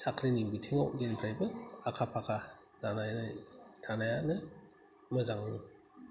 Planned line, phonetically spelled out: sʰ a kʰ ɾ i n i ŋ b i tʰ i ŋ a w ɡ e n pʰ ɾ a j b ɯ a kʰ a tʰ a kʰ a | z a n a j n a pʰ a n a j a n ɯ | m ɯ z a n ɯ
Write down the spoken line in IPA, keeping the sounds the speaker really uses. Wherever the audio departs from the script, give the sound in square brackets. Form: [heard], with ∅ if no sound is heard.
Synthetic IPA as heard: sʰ a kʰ ɾ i n i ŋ b i tʰ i ŋ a w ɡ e n pʰ ɾ a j b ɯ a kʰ a [pʰ] a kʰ a | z a n a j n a [tʰ] a n a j a n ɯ | m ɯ z a [ŋ] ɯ